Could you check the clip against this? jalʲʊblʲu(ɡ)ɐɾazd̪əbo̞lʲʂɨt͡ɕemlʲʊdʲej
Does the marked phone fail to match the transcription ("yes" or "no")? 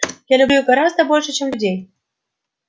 no